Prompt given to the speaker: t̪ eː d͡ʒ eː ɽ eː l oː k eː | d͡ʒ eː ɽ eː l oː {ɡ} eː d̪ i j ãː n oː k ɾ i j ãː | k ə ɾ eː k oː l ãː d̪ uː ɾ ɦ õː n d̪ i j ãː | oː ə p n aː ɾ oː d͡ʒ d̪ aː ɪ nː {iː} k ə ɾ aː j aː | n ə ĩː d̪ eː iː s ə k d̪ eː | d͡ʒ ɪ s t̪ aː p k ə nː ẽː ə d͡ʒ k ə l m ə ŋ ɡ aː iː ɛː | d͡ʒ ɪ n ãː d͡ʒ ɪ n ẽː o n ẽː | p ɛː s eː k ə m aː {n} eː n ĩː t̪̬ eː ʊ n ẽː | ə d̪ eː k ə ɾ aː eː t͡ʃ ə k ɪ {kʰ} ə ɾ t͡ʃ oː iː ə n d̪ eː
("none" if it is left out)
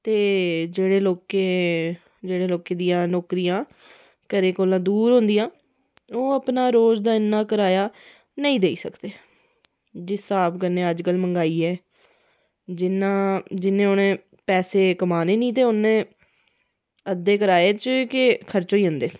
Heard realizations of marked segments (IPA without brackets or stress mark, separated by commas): k, aː, n, kʰ